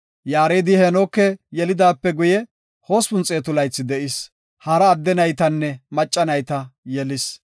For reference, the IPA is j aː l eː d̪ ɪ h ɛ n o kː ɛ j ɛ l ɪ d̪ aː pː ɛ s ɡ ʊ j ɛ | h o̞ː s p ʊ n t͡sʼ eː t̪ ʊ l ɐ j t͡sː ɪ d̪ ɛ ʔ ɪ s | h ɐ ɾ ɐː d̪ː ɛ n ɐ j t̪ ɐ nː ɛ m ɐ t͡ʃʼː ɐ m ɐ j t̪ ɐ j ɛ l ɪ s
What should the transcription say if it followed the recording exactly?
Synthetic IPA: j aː ɾ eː d̪ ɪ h ɛ n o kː ɛ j ɛ l ɪ d̪ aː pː ɛ ɡ ʊ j ɛ | h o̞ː s p ʊ n t͡sʼ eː t̪ ʊ l ɐ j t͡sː ɪ d̪ ɛ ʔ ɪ s | h ɐ ɾ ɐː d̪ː ɛ n ɐ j t̪ ɐ nː ɛ m ɐ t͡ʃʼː ɐ n ɐ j t̪ ɐ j ɛ l ɪ s